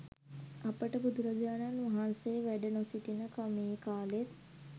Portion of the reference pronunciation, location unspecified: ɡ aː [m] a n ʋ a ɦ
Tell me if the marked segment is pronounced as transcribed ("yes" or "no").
no